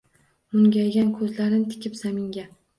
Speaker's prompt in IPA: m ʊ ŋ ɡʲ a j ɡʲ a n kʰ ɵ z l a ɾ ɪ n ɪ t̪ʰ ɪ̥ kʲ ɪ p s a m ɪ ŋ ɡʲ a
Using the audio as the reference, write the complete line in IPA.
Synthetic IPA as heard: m ʊ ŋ ɡʲ a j ɡʲ a n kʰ ɵ z l a ɾ ɪ n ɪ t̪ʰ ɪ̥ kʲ ɪ p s a m ɪ ŋ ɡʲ a

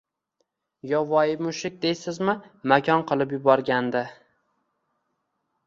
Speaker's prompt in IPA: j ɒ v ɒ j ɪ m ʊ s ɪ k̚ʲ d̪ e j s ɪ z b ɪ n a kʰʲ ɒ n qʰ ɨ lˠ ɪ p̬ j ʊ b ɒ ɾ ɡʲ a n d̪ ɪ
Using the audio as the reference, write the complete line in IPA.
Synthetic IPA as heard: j ɒ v ɒ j ɪ m ʊ ʃ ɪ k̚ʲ d̪ e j s ɪ z m ɪ m a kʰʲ ɒ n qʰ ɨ lˠ ɪ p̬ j ʊ b ɒ ɾ ɡʲ a n d̪ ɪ

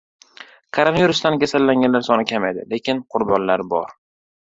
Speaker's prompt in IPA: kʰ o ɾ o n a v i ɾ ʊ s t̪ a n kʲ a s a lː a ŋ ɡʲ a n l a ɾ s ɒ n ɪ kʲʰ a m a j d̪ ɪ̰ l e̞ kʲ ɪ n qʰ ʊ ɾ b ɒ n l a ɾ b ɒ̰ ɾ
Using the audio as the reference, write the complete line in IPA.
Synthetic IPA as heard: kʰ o ɾ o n a v i ɾ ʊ s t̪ a n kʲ a s a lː a ŋ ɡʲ a n l a ɾ s ɒ n ɪ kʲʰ a m a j d̪ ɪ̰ l e̞ kʲ ɪ n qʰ ʊ ɾ b ɒ n l a ɾ b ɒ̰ ɾ

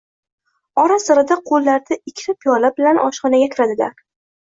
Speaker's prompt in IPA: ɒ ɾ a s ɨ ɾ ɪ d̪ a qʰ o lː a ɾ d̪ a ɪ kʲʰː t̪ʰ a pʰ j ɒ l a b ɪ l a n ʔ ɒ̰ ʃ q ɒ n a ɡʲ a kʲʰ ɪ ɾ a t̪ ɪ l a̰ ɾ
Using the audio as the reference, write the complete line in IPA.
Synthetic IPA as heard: ɒ ɾ a s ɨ ɾ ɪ d̪ a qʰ o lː a ɾ d̪ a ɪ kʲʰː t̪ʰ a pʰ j ɒ l a b ɪ l a n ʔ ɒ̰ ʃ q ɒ n a ɡʲ a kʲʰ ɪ ɾ a d̪ ɪ l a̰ ɾ

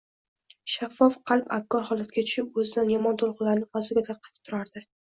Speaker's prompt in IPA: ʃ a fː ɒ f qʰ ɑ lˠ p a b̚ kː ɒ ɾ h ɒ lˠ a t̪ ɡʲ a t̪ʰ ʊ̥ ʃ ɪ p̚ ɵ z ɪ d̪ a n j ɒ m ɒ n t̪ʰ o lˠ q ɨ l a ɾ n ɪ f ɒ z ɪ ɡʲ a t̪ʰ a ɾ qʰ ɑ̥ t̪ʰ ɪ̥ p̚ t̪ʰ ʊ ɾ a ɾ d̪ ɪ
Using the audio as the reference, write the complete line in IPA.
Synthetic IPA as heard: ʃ a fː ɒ f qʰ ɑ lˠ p a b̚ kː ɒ ɾ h ɒ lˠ a t̪ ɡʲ a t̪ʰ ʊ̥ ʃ ɪ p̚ ɵ z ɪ d̪ a n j ɒ m ɒ n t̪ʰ o lˠ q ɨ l a ɾ n ɪ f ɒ z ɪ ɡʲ a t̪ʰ a ɾ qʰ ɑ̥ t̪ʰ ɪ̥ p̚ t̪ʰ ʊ ɾ a ɾ d̪ ɪ

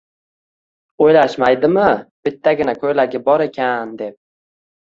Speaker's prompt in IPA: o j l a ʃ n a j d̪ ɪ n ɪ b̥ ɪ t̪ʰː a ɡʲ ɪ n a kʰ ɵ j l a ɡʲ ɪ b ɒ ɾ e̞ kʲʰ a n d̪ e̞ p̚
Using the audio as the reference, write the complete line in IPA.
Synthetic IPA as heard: o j l a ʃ m a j d̪ ɪ m ɪ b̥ ɪ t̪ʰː a ɡʲ ɪ n a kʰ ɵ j l a ɡʲ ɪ b ɒ ɾ e̞ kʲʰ a n d̪ e̞ p̚

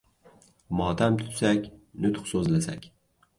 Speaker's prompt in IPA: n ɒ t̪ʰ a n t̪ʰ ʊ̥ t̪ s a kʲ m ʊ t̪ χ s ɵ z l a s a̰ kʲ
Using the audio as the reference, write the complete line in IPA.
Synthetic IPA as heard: m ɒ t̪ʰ a m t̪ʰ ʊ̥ t̪ s a kʲ n ʊ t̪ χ s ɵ z l a s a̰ kʲ

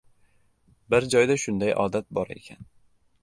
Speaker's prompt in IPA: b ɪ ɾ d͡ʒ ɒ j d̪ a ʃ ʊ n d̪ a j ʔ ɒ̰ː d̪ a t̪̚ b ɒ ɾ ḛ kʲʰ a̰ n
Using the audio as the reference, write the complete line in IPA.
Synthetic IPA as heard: b ɪ ɾ d͡ʒ ɒ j d̪ a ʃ ʊ n d̪ a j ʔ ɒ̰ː d̪ a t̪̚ b ɒ ɾ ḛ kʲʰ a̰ n

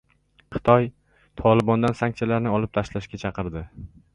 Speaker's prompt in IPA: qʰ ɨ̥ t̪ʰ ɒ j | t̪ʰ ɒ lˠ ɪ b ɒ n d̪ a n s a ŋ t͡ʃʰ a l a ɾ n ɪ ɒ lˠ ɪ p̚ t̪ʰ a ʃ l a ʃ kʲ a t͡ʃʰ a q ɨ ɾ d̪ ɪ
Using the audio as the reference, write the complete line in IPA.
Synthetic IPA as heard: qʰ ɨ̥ t̪ʰ ɒ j | t̪ʰ ɒ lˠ ɪ b ɒ n d̪ a n s a ŋ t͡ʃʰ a l a ɾ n ɪ ɒ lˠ ɪ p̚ t̪ʰ a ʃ l a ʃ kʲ a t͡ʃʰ ɑ q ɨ ɾ d̪ ɪ

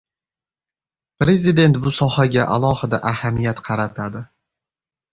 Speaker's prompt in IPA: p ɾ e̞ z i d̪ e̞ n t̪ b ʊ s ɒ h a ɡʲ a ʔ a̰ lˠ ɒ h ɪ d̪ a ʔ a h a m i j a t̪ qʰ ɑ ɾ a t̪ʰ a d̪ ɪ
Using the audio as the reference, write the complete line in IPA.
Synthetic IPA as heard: p ɾ e̞ z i d̪ e̞ n t̪ b ʊ s ɒ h a ɡʲ a ʔ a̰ lˠ ɒ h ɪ d̪ a ʔ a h a m i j a t̪ qʰ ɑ ɾ a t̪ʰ a d̪ ɪ

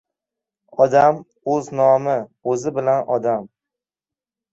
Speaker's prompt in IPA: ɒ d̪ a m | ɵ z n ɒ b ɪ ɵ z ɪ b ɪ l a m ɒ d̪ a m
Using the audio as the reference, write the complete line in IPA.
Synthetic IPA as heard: ɒ d̪ a m | ɵ z n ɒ m ɪ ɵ z ɪ b ɪ l a n ɒ d̪ a m

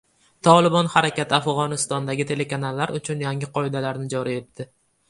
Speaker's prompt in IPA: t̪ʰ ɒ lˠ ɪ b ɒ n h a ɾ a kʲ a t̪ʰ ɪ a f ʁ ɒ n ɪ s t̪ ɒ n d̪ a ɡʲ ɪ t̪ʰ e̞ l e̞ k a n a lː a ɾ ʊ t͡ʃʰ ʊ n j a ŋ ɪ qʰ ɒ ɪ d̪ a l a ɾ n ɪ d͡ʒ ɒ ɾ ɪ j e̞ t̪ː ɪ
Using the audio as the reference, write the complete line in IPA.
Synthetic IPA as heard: t̪ʰ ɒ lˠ ɪ b ɒ n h a ɾ a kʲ a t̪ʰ ɪ a f ʁ ɒ n ɪ s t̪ ɒ n d̪ a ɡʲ ɪ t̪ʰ e̞ l e̞ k a n a lː a ɾ ʊ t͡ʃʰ ʊ n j a ŋ ɪ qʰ ɒ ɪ d̪ a l a ɾ n ɪ d͡ʒ ɒ ɾ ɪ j e̞ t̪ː ɪ

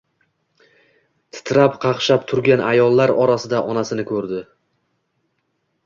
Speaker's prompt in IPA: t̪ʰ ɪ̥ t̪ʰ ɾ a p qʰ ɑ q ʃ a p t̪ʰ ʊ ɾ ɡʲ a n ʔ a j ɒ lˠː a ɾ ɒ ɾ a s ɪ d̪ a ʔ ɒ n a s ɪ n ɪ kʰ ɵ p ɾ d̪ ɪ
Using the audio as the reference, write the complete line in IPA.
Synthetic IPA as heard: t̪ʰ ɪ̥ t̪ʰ ɾ a p qʰ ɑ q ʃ a p t̪ʰ ʊ ɾ ɡʲ a n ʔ a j ɒ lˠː a ɾ ɒ ɾ a s ɪ d̪ a ʔ ɒ n a s ɪ n ɪ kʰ ɵ ɾ d̪ ɪ

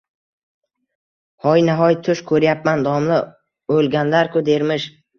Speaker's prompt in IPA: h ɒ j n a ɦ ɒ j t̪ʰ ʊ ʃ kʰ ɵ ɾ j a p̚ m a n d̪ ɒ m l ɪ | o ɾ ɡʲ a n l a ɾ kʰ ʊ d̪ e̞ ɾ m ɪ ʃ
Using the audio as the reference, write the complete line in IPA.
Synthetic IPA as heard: h ɒ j n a ɦ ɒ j t̪ʰ ʊ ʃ kʰ ɵ ɾ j a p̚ m a n d̪ ɒ m l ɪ | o l ɡʲ a n l a ɾ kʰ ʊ d̪ e̞ ɾ m ɪ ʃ

